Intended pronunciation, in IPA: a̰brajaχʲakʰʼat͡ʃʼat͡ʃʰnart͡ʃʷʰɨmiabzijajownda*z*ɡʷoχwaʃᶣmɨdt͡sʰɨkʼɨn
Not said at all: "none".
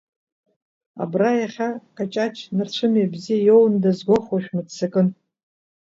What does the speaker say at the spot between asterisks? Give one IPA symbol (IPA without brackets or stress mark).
z